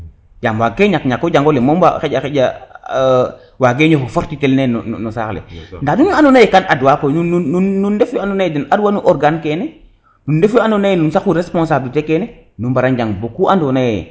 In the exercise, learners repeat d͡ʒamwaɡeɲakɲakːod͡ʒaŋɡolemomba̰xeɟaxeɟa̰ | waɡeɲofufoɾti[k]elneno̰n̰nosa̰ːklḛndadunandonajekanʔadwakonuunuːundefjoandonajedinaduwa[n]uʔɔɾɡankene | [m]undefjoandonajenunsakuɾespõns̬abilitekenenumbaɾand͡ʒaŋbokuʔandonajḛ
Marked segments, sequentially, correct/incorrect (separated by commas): incorrect, correct, incorrect